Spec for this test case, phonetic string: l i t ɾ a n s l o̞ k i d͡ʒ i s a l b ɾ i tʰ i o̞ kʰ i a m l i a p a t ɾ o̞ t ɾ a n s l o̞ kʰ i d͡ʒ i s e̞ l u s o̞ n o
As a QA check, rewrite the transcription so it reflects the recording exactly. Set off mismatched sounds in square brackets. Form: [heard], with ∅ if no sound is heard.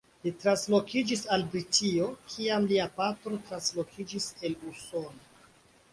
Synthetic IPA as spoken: l i t ɾ a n s l o̞ k i d͡ʒ i s a l b ɾ i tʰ i o̞ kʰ i a m l i a p a t ɾ o̞ t ɾ a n s l o̞ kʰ i d͡ʒ i s e̞ l u s o̞ n o